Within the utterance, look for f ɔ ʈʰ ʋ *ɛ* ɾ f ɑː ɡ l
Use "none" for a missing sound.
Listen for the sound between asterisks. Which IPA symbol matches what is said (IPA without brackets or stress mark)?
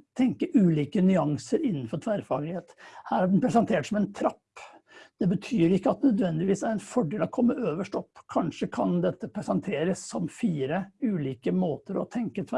æ